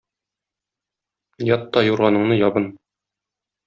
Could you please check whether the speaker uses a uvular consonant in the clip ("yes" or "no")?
yes